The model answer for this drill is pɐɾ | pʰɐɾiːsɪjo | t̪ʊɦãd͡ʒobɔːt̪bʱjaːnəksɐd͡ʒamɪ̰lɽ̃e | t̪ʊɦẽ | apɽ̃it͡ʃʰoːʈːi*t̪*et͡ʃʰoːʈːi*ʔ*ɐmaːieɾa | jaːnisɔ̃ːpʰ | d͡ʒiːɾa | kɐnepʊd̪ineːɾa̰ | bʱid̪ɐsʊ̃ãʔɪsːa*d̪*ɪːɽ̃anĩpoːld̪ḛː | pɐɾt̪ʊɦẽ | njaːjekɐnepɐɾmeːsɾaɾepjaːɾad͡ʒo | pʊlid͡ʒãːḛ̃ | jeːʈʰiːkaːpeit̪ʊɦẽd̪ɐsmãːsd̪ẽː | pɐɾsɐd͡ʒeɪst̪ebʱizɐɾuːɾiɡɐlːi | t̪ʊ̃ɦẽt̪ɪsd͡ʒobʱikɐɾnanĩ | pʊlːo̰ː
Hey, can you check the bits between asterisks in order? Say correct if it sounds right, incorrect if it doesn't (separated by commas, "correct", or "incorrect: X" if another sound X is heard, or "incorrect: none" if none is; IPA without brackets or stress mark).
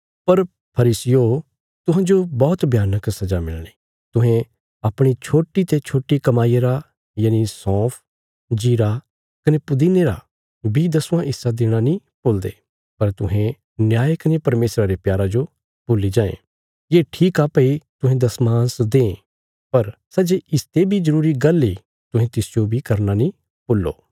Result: correct, incorrect: k, correct